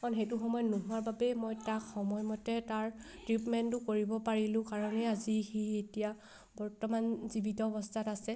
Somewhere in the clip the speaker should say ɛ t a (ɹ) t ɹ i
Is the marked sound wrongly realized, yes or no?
no